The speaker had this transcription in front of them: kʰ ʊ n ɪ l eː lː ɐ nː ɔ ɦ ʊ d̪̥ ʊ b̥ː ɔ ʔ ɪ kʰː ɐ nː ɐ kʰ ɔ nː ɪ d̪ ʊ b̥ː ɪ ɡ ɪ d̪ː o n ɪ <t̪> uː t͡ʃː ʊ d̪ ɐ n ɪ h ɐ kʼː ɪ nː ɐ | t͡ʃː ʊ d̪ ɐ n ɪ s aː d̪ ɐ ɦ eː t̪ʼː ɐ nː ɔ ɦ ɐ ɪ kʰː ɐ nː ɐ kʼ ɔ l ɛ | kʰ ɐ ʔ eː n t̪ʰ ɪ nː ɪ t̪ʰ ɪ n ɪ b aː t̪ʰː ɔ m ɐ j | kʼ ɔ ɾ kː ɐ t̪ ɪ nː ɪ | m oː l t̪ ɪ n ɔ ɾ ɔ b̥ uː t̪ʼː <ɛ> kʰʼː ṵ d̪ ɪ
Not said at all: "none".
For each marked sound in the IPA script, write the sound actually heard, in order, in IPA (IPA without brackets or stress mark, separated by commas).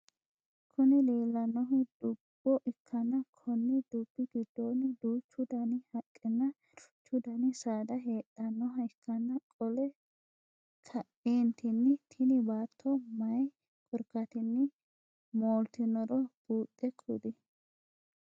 d̪, ɛ